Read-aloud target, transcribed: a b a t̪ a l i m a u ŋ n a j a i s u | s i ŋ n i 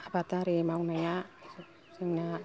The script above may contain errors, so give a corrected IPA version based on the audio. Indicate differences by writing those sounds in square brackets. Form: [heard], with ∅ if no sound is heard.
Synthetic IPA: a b a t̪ a [ɾ] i m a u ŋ n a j a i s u | s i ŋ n [a]